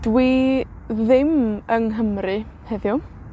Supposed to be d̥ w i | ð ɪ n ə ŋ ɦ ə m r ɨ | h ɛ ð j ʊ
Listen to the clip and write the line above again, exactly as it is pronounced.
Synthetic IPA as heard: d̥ w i | ð ɪ m ə ŋ ɦ ə m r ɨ | h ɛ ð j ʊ